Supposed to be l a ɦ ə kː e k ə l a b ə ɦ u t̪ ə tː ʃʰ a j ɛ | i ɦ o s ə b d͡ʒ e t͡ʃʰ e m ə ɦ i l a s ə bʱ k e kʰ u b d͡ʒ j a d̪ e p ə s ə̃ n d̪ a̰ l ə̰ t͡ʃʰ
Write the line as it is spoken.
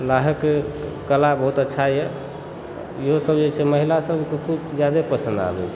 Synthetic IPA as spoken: l a ɦ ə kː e k ə l a b ə ɦ u t̪ ə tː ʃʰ a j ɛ | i ɦ o s ə b d͡ʒ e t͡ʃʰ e m ə ɦ i l a s ə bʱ k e kʰ u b d͡ʒ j a d̪ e p ə s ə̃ n d̪ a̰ l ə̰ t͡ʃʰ